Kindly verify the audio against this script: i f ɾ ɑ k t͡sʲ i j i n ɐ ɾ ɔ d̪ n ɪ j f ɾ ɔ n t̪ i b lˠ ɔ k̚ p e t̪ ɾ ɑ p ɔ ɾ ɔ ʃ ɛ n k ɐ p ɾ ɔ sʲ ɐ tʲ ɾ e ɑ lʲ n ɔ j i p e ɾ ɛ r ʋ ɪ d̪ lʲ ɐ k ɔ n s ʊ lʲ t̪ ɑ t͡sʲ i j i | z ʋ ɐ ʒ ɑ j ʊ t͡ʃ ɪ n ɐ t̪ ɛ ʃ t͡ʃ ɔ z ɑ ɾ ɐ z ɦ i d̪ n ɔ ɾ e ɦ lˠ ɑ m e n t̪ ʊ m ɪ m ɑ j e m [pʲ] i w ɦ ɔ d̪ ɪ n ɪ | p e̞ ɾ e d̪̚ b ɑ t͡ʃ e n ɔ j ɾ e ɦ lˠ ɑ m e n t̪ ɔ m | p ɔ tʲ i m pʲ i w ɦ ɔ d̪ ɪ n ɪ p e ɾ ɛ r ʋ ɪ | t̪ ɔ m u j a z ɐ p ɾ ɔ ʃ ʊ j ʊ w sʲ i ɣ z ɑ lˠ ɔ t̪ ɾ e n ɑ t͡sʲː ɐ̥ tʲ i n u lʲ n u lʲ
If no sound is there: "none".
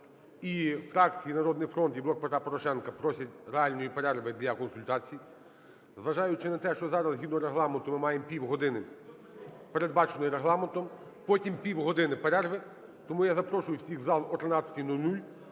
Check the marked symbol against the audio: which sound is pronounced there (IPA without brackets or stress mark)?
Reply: pʲ